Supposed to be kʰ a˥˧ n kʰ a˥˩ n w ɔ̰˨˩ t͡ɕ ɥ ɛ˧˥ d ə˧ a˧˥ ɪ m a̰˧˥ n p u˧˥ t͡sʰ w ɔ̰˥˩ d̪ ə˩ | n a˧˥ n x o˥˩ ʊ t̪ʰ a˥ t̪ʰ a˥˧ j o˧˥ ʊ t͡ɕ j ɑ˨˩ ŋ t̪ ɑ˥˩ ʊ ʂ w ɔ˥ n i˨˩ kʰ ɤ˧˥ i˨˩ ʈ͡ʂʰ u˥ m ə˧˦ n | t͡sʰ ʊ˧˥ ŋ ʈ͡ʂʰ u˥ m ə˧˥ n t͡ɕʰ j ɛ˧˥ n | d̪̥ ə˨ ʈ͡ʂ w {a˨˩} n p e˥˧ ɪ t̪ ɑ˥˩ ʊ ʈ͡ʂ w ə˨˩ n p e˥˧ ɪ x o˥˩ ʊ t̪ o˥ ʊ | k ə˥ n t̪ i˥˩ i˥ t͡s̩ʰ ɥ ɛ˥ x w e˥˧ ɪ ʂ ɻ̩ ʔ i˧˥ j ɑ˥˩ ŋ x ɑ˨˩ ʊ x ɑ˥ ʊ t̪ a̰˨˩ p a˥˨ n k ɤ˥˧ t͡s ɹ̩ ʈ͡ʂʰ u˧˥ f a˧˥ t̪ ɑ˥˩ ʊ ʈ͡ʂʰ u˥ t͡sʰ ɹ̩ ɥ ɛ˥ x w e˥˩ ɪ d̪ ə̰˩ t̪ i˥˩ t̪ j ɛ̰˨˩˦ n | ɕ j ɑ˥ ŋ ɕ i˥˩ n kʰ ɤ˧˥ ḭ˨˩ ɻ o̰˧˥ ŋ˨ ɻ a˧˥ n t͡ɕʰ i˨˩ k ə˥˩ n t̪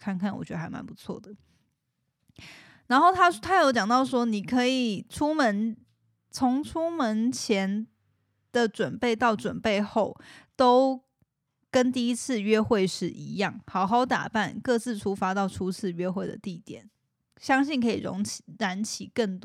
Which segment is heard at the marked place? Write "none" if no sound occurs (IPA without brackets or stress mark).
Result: ə˨˩